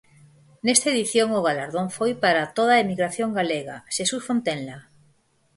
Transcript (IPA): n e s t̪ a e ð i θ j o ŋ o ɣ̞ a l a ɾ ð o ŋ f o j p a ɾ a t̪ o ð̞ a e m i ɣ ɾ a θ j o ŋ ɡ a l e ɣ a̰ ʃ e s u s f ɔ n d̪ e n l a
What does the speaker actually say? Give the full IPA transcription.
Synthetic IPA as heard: n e s t̪ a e ð i θ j o ŋ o ɣ̞ a l a ɾ ð o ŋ f o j p a ɾ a t̪ o ð̞ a e m i ɣ ɾ a θ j o ŋ ɡ a l e ɣ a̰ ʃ e s u s f o n t̪ e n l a